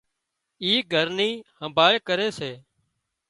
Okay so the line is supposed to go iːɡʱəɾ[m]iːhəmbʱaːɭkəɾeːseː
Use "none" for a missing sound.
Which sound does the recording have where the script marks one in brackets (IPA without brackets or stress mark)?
n